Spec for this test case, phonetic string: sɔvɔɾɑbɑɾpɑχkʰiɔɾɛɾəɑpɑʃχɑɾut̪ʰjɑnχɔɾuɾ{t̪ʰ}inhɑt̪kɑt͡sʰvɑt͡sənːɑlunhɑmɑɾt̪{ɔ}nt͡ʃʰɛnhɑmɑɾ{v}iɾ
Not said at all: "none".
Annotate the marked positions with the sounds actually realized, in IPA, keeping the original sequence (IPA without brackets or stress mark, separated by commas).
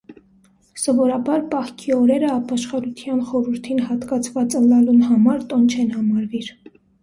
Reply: t̪ʰ, ɔ, v